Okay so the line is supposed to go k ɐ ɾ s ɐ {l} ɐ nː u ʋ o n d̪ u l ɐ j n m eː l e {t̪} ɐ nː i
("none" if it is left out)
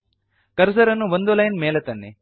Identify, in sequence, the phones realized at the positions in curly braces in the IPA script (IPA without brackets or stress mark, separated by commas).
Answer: ɾ, t̪